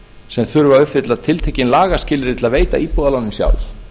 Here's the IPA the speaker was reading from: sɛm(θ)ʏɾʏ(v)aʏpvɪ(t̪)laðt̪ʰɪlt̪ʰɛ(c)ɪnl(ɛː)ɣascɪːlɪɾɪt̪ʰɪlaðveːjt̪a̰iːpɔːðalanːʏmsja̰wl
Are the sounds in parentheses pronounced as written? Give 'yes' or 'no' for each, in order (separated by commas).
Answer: yes, yes, yes, yes, no